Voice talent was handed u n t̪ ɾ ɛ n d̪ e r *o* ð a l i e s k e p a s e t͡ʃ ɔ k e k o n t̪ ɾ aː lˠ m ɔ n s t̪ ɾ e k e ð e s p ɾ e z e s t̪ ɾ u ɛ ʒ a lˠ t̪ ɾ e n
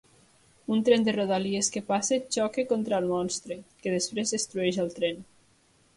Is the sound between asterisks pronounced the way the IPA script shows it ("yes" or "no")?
yes